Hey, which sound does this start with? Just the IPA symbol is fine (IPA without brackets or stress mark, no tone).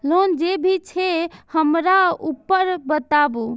l